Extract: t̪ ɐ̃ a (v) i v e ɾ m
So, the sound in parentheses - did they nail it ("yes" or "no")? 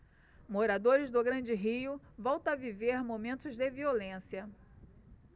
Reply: yes